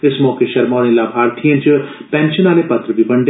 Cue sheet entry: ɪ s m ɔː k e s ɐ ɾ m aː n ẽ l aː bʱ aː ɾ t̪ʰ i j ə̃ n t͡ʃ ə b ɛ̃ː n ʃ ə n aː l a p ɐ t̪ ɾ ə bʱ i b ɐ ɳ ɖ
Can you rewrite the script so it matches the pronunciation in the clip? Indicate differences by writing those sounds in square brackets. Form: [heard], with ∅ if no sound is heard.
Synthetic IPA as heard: ɪ s m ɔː k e [ʃ] ɐ ɾ m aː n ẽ l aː bʱ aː ɾ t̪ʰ i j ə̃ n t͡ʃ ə [p] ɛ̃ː n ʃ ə n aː l [e] p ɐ t̪ ɾ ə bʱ i b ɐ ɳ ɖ